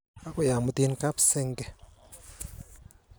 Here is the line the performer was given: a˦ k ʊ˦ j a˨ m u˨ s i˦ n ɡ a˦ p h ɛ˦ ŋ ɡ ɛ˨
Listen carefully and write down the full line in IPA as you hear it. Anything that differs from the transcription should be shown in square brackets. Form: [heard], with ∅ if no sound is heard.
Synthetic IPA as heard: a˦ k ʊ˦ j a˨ m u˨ [t] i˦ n [k] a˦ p [s] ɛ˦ ŋ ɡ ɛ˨